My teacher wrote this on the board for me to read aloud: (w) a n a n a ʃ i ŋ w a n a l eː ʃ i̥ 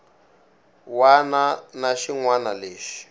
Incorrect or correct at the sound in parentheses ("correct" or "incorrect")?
correct